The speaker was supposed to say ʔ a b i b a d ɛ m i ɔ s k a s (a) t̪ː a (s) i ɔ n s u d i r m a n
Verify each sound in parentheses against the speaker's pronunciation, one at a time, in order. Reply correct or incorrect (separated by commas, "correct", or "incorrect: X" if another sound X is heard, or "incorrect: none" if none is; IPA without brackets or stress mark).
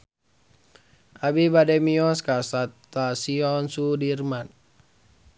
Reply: correct, correct